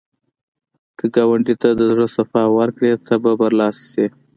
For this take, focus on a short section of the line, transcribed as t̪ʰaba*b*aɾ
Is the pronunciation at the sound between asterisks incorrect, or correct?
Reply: correct